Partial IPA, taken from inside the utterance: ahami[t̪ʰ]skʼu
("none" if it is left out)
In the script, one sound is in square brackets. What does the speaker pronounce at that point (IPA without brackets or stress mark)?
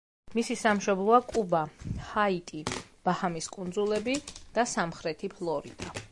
none